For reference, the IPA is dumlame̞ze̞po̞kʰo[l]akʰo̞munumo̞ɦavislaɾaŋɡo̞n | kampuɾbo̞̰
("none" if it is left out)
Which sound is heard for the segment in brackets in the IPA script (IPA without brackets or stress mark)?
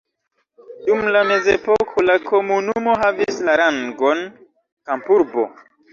l